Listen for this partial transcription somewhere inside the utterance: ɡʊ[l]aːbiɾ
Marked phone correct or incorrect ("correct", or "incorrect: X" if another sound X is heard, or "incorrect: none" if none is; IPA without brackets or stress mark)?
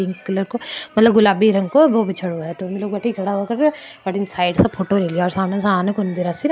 correct